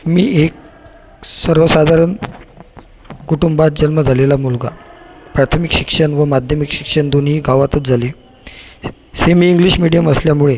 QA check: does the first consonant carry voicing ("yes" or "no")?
yes